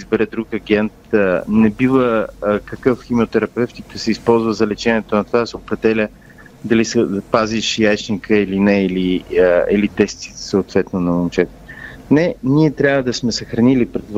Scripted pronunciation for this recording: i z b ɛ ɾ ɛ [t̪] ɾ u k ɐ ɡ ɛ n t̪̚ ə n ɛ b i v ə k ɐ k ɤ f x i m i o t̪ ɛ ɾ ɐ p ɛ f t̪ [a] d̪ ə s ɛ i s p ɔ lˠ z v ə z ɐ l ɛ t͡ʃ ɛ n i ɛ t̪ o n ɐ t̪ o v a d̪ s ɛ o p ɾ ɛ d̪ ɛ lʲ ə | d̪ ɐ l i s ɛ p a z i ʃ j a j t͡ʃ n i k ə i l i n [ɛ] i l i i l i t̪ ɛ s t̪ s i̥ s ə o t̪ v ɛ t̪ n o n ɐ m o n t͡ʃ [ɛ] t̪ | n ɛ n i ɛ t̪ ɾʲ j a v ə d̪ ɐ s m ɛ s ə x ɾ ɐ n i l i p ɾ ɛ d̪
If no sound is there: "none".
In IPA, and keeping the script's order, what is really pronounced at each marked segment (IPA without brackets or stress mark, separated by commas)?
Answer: d̪, i, ɛ, ɛ